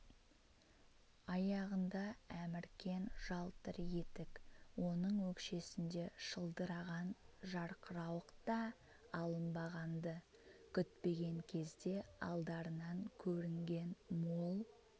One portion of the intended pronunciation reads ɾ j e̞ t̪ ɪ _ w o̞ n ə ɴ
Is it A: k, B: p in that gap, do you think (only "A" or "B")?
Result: A